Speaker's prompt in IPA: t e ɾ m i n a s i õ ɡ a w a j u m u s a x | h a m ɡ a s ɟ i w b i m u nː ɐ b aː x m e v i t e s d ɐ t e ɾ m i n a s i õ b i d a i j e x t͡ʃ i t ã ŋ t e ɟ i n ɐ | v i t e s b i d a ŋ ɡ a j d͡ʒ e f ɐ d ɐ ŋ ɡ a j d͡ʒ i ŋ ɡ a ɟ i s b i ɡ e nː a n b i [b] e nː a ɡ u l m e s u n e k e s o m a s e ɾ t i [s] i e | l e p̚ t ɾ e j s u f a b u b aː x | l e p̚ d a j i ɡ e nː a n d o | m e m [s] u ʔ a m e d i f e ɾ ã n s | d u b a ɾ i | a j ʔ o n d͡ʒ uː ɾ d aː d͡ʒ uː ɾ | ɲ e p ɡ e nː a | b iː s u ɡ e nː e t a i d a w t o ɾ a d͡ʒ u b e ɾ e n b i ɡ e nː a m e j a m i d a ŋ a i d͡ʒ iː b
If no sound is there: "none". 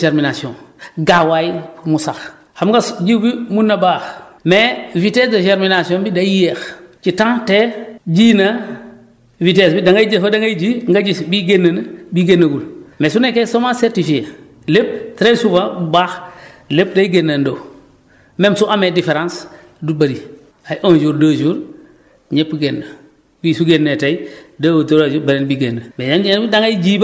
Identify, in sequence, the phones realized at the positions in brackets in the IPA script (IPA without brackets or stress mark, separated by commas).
ɡ, f, s